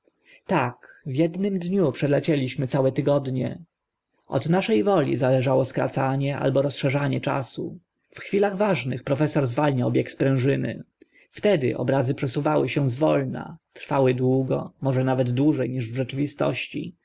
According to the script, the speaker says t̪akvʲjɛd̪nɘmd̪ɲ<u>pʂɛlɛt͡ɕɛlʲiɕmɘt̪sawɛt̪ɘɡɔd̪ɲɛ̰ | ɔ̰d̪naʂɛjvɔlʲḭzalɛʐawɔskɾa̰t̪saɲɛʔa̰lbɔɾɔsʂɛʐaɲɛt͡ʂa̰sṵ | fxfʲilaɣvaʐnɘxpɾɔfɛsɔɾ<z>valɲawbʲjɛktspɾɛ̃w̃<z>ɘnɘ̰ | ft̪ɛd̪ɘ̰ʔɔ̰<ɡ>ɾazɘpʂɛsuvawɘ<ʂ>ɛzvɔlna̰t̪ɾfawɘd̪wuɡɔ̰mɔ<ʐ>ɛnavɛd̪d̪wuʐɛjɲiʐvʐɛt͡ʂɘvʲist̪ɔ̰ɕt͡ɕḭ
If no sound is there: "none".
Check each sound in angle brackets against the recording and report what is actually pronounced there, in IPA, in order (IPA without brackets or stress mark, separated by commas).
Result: u, z, ʐ, b, ɕ, ʐ